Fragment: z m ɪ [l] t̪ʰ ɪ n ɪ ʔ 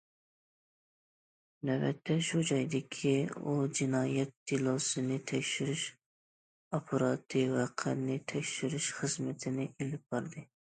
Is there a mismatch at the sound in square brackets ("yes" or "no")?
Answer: yes